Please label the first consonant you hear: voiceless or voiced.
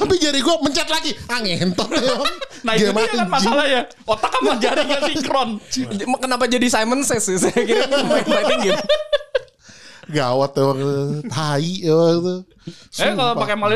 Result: voiceless